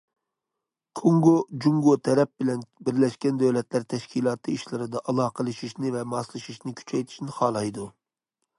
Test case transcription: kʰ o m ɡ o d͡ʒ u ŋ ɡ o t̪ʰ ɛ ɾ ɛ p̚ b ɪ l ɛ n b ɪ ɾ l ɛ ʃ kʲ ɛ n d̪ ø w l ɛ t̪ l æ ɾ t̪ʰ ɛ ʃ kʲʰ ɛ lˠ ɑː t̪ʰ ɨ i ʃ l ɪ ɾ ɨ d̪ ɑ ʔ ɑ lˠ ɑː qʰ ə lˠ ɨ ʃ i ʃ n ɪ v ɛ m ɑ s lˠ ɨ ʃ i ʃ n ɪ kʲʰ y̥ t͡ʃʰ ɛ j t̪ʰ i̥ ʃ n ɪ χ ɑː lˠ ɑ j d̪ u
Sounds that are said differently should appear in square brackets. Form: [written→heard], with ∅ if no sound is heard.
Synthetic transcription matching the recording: kʰ o [m→ŋ] ɡ o d͡ʒ u ŋ ɡ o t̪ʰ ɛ ɾ ɛ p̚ b ɪ l ɛ n b ɪ ɾ l ɛ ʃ kʲ ɛ n d̪ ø w l ɛ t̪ l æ ɾ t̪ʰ ɛ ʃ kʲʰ [ɛ→i] lˠ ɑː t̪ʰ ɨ i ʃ l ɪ ɾ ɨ d̪ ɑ ʔ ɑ lˠ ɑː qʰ ə lˠ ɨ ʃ i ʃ n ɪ v ɛ m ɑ s lˠ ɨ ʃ i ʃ n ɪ kʲʰ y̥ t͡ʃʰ ɛ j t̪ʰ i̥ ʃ n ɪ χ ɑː lˠ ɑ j d̪ u